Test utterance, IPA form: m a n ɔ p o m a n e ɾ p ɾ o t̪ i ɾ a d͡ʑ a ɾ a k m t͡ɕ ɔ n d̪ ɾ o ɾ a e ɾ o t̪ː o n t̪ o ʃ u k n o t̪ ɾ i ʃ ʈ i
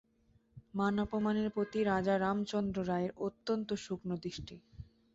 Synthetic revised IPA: m a n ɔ p o m a n e ɾ p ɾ o t̪ i ɾ a d͡ʑ a ɾ a m t͡ɕ ɔ n d̪ ɾ o ɾ a e ɾ o t̪ː o n t̪ o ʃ u k n o d̪ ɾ i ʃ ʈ i